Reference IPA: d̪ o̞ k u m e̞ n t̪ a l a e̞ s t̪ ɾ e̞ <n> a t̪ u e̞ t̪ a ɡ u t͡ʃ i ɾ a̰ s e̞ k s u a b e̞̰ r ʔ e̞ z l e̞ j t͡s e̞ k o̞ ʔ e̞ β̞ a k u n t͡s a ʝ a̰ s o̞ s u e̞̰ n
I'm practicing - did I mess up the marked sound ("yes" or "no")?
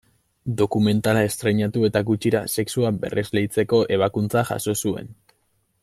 yes